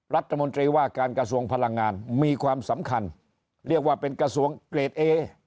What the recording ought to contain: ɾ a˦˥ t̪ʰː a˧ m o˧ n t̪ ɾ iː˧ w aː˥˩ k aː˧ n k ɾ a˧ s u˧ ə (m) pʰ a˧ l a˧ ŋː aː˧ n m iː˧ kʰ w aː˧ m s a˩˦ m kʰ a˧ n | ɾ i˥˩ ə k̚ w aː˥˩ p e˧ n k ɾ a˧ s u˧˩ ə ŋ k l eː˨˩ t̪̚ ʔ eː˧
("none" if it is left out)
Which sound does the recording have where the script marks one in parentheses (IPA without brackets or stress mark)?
ŋ